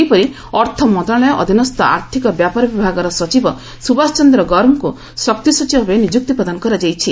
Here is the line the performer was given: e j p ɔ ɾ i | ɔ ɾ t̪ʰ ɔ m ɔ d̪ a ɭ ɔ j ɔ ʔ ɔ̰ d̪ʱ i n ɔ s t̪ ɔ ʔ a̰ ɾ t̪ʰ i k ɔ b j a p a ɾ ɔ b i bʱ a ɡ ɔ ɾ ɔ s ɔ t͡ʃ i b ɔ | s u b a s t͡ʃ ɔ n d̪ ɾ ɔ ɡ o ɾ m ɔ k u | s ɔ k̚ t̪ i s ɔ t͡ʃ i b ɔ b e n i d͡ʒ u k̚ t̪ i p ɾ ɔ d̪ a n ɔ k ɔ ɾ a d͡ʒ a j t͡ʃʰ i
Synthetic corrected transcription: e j p ɔ ɾ i | ɔ ɾ t̪ʰ ɔ m ɔ d̪ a ɭ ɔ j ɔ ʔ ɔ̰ d̪ʱ i n ɔ s t̪ ɔ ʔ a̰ ɾ t̪ʰ i k ɔ b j a p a ɾ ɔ b i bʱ a ɡ ɔ ɾ ɔ s ɔ t͡ʃ i b ɔ | s u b a s t͡ʃ ɔ n d̪ ɾ ɔ ɡ ɔ ɾ m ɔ k u | s ɔ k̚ t̪ i s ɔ t͡ʃ i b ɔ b e n i d͡ʒ u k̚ t̪ i p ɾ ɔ d̪ a n ɔ k ɔ ɾ a d͡ʒ a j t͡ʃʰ i